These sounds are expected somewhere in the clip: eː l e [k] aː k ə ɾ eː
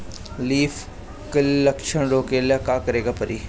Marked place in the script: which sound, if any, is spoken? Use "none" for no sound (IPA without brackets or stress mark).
k